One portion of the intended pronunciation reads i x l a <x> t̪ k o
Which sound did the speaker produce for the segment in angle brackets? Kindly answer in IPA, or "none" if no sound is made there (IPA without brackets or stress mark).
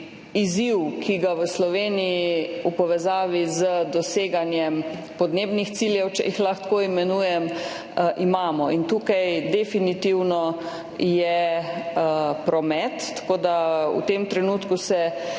x